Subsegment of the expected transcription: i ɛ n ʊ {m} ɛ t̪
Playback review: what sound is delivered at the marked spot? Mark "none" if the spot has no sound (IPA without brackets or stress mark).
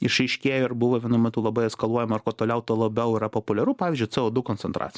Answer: m